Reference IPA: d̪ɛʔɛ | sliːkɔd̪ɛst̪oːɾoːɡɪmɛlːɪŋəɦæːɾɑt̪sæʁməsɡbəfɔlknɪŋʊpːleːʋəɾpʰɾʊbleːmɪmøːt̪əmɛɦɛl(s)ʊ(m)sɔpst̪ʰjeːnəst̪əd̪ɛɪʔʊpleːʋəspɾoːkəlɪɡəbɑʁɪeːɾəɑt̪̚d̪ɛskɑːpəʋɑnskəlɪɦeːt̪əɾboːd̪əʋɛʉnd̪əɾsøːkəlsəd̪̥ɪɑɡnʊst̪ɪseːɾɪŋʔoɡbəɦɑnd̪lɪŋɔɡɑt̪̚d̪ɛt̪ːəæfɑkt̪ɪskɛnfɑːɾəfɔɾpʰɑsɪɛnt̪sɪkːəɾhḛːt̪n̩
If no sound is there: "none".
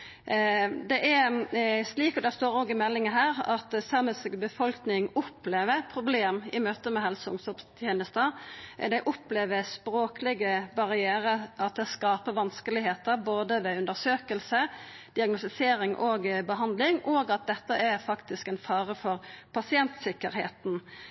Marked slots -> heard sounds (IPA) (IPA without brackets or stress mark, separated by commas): s, ŋ